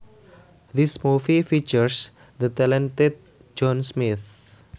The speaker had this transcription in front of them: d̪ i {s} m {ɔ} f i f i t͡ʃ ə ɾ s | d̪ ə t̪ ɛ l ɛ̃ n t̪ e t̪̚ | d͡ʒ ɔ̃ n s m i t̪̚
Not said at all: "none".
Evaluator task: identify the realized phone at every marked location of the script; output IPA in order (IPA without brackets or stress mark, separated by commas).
s, u